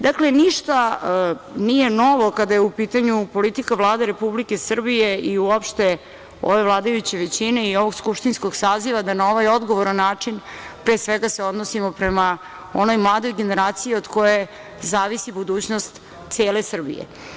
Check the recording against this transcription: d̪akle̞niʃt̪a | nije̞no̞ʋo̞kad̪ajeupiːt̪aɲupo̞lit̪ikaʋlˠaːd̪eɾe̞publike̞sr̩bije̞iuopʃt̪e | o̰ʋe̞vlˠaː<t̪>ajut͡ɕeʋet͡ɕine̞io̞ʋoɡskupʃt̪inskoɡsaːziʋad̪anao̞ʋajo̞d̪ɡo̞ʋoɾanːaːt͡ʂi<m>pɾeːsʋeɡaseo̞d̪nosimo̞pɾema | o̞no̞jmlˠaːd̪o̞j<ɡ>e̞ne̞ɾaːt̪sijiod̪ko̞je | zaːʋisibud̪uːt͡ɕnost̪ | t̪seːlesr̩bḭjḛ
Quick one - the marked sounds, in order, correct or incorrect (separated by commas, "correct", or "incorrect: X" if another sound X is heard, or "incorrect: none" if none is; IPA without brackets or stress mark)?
incorrect: d̪, incorrect: n, correct